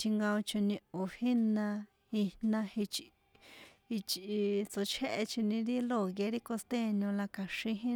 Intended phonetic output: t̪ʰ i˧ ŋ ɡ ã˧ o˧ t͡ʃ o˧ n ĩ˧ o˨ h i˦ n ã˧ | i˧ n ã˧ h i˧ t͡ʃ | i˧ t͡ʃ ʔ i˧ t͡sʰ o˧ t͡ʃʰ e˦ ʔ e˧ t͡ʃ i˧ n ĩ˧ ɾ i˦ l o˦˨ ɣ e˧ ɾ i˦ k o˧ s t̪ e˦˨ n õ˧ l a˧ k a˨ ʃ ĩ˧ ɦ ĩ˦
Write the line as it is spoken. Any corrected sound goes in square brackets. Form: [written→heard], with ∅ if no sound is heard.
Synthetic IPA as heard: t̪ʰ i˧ ŋ ɡ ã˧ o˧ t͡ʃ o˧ n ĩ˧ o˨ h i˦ n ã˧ | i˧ n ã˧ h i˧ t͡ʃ | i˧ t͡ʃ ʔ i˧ [t͡sʰ→t͡s] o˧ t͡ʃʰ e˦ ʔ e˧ t͡ʃ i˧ n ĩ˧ ɾ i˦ l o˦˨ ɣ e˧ ɾ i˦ k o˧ s t̪ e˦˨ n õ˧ l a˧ k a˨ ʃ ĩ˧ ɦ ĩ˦